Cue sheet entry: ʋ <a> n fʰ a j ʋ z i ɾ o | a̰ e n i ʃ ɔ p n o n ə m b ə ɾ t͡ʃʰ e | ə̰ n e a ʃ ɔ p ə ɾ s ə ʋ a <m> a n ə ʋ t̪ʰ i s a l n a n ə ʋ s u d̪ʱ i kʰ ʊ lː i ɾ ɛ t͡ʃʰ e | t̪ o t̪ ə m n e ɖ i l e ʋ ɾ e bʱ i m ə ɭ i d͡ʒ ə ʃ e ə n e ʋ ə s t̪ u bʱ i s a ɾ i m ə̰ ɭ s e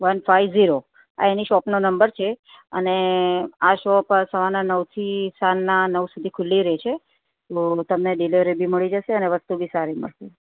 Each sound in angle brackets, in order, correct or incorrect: incorrect: ə, incorrect: n

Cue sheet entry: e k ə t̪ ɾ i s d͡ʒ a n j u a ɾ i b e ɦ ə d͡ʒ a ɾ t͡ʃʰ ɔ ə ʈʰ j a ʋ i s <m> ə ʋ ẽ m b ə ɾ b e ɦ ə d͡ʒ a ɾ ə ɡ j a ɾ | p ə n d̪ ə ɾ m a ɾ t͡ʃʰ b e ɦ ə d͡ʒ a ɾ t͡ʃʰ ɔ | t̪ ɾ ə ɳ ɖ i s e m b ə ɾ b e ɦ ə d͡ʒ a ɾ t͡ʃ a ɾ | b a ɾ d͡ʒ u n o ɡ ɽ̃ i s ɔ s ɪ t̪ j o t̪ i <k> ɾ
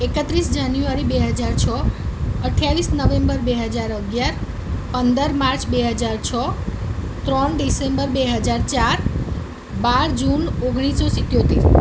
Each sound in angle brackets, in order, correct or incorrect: incorrect: n, incorrect: none

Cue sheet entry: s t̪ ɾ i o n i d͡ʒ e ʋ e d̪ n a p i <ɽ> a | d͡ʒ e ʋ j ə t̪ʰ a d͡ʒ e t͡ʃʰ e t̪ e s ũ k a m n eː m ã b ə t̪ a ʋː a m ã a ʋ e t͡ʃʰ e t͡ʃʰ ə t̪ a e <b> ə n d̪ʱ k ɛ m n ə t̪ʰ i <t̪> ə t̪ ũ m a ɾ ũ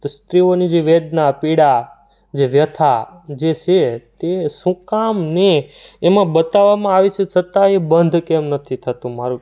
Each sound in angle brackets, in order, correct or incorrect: correct, correct, incorrect: t̪ʰ

